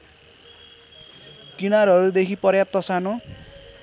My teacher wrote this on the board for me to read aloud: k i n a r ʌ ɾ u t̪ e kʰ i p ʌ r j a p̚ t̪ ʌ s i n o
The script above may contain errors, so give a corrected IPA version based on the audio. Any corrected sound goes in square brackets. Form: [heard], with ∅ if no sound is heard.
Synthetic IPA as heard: k i n a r ʌ ɾ u [d̪] e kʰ i p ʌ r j a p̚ t̪ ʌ s [a] n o